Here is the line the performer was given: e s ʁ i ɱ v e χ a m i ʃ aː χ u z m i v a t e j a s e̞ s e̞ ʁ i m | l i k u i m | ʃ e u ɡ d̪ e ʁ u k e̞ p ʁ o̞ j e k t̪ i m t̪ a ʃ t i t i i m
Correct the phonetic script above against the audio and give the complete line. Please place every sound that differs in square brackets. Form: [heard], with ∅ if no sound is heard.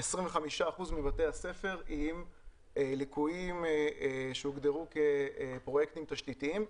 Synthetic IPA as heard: e s ʁ i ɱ v e χ a m i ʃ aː χ u z m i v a t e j a s e̞ [f] e̞ ʁ i m | l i k u i m | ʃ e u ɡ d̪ e ʁ u k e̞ p ʁ o̞ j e k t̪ i m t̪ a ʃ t i t i i m